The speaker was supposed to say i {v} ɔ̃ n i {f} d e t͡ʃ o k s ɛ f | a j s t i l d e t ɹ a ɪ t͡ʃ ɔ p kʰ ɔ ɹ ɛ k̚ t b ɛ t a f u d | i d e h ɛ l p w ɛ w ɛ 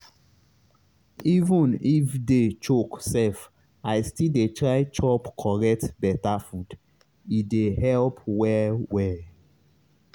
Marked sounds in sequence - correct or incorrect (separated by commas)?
correct, correct